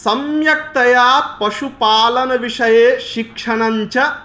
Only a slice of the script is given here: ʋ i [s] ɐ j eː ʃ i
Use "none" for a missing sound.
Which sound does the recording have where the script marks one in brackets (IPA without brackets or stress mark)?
ʂ